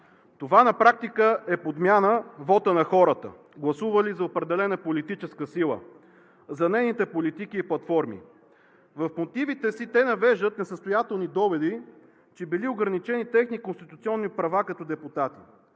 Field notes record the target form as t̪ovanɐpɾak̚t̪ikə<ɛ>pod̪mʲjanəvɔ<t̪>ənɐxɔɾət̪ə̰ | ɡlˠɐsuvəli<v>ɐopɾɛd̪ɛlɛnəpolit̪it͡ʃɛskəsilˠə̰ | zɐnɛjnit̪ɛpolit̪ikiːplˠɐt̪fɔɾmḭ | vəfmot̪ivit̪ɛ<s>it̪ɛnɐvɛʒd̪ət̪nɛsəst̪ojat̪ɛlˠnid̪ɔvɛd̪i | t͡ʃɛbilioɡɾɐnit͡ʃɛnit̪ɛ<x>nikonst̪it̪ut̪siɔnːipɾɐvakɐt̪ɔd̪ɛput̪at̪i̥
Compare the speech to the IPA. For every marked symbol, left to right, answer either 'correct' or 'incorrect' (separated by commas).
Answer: correct, correct, incorrect, correct, correct